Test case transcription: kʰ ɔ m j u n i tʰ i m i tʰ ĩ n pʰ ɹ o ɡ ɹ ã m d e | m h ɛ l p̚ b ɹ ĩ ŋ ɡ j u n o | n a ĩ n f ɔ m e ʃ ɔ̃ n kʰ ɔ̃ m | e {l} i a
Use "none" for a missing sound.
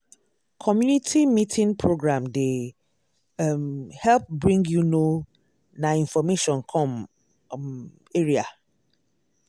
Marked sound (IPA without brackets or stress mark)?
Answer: ɹ